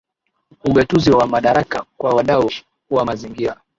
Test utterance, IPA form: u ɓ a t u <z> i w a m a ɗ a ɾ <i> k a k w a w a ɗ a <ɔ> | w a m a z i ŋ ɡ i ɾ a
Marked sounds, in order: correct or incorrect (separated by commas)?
correct, incorrect, incorrect